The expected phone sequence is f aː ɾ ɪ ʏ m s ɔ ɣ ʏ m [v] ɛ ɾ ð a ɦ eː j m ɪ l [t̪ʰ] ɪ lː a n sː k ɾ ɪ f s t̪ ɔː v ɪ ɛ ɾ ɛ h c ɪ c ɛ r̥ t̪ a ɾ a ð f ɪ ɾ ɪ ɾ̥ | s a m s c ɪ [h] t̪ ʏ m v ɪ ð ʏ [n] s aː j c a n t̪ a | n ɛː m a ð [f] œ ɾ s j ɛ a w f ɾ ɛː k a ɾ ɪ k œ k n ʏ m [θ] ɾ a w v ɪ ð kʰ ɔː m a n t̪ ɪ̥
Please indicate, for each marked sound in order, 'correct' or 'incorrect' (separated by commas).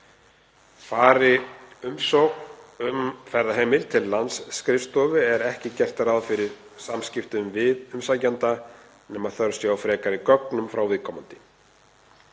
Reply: incorrect, correct, incorrect, incorrect, incorrect, incorrect